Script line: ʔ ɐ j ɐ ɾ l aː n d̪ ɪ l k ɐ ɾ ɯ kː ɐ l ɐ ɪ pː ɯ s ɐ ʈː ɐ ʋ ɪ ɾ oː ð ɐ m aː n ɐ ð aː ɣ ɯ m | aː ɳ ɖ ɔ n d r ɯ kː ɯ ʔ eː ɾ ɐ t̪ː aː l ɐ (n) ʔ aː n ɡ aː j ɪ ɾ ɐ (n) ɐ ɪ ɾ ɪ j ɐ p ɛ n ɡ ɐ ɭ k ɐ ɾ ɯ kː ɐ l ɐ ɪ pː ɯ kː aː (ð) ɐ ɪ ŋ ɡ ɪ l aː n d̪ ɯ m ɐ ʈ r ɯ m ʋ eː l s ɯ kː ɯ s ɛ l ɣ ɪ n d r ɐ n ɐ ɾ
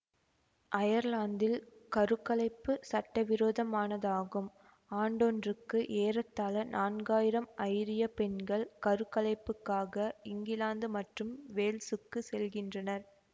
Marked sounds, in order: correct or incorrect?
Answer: correct, incorrect, incorrect

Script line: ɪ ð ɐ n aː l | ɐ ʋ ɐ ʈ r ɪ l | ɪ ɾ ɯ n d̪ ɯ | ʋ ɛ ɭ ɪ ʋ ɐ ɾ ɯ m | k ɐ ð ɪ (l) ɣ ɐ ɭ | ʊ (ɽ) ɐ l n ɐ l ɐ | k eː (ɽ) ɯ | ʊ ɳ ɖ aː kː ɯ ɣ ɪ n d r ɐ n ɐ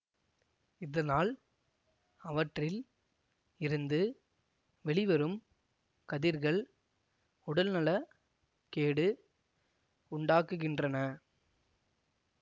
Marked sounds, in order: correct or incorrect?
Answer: incorrect, correct, correct

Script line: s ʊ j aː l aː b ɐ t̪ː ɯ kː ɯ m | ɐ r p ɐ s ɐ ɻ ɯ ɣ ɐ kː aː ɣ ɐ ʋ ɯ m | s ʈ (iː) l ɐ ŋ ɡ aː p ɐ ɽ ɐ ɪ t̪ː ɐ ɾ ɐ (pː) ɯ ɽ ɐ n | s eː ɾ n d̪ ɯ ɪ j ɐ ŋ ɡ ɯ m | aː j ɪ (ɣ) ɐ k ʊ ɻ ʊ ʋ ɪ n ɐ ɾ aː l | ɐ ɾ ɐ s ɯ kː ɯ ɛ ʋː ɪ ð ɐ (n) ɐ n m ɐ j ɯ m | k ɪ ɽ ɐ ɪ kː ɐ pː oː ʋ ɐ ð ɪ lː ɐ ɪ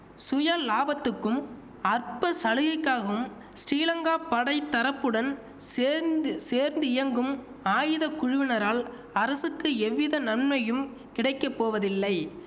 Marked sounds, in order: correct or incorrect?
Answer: correct, correct, incorrect, correct

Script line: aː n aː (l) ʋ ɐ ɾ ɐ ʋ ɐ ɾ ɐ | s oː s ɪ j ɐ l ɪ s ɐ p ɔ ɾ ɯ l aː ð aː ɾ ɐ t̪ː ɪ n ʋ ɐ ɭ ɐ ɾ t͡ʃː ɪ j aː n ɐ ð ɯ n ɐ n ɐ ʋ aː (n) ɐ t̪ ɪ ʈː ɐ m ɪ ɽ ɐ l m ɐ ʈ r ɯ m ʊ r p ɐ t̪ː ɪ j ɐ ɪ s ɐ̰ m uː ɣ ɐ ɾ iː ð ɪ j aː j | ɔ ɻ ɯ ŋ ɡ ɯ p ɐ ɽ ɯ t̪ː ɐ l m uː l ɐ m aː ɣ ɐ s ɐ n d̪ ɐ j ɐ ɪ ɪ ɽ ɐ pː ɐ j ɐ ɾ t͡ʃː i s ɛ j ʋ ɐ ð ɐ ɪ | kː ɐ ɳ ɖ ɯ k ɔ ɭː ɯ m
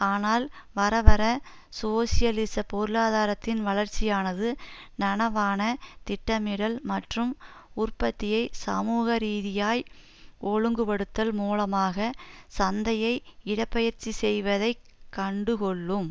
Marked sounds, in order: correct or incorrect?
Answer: correct, correct

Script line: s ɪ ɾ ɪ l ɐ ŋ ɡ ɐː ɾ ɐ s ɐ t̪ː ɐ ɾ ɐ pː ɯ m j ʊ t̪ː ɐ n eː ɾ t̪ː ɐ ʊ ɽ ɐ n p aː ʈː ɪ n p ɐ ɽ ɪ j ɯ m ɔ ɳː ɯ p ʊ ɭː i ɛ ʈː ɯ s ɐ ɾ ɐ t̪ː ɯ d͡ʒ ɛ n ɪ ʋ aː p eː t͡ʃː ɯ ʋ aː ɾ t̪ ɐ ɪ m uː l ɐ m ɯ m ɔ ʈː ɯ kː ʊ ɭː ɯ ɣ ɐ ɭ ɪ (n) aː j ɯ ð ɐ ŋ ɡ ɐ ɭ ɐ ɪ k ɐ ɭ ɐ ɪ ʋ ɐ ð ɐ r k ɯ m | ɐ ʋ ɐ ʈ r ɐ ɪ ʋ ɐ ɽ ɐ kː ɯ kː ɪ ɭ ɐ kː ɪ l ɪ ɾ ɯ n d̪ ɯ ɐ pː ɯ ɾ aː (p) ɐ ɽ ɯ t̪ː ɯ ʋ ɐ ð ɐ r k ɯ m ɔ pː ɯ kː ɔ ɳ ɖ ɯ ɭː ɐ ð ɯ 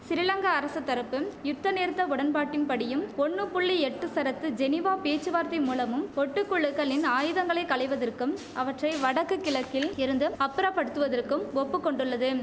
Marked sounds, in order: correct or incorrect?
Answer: correct, correct

